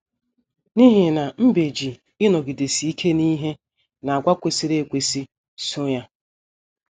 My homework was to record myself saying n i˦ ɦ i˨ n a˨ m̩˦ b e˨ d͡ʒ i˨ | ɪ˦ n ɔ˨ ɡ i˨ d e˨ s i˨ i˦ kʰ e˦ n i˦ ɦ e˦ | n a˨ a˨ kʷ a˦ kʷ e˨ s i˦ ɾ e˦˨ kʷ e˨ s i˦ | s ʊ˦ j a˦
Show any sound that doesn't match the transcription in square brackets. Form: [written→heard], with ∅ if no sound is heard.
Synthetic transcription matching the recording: n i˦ ɦ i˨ n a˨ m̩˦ b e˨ d͡ʒ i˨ | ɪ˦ n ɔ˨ ɡ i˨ d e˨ s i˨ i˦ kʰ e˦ n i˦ ɦ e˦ | n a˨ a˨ [kʷ→ɡʷ] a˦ kʷ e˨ s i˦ ɾ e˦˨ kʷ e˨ s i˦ | s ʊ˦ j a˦